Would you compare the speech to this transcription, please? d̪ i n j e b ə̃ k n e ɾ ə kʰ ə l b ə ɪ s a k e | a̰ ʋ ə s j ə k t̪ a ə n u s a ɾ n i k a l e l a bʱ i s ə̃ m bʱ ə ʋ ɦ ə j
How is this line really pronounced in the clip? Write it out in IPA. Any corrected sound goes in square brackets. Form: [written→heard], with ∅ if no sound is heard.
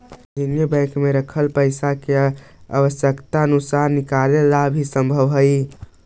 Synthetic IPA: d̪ i n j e b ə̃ k [n→m] e ɾ ə kʰ ə l [b→p] ə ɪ s a k e | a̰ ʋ ə s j ə k t̪ a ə n u s a ɾ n i k a l e l a bʱ i s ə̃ m bʱ ə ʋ ɦ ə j